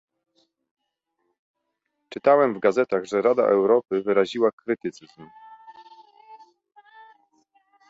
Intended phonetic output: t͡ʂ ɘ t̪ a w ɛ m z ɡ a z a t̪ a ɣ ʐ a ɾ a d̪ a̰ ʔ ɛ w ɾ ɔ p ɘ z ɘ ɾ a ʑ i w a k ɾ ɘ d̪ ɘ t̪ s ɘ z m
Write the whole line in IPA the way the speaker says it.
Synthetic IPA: t͡ʂ ɘ t̪ a w ɛ m v ɡ a z ɛ t̪ a ɣ ʐ ɛ ɾ a d̪ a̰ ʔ ɛ w ɾ ɔ p ɘ v ɘ ɾ a ʑ i w a k ɾ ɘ t̪ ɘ t̪ s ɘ z m